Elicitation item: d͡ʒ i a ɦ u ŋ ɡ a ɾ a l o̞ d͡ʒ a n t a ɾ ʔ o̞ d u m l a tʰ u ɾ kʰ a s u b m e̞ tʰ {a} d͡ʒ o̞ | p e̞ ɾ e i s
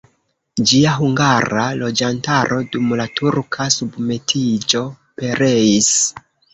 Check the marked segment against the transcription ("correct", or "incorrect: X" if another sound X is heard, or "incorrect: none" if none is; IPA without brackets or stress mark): incorrect: i